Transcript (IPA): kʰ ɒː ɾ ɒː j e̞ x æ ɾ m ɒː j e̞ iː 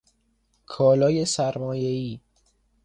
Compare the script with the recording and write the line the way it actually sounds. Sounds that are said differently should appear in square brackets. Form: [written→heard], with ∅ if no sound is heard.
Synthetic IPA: kʰ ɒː [ɾ→l] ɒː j e̞ [x→s] æ ɾ m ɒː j e̞ iː